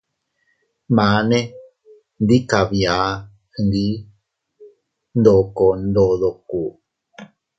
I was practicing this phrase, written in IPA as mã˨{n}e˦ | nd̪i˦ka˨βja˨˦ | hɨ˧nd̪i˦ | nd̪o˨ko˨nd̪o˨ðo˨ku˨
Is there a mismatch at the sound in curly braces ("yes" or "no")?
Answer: no